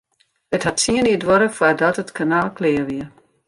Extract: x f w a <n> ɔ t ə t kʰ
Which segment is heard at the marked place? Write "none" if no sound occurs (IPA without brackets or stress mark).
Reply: d